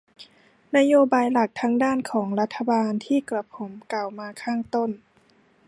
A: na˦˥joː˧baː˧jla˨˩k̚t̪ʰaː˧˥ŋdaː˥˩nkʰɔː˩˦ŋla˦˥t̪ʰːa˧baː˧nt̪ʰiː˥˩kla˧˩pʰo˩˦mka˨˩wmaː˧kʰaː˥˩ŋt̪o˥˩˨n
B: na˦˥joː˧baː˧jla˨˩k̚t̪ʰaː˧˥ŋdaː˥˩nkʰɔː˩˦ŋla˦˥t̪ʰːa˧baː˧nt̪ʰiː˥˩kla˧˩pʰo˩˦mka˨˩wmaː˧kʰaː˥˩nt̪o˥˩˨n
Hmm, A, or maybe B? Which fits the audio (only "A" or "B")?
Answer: A